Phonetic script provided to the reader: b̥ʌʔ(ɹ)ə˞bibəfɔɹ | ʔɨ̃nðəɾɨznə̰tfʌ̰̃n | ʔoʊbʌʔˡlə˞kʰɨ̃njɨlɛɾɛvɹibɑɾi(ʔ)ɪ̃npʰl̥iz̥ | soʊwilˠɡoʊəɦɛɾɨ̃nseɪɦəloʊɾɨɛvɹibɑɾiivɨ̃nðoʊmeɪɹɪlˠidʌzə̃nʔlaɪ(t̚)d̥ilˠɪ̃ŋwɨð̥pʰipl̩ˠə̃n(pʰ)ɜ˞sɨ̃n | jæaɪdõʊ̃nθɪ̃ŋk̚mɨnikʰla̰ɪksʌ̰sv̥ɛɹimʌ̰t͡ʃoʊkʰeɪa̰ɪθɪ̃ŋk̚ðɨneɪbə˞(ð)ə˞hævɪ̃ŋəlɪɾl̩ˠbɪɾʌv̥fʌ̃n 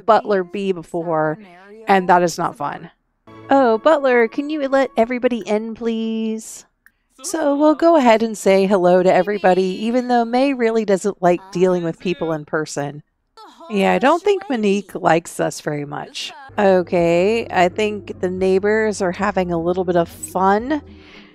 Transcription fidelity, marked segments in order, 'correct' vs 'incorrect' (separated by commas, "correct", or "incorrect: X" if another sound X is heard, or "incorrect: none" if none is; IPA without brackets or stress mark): incorrect: l, correct, incorrect: k̚, correct, incorrect: z